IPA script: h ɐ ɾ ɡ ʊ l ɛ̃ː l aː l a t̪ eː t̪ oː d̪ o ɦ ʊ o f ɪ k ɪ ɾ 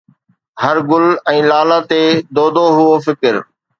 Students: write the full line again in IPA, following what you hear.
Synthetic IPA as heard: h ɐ ɾ ɡ ʊ l ɛ̃ː l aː l a t̪ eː d̪ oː d̪ o ɦ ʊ o f ɪ k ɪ ɾ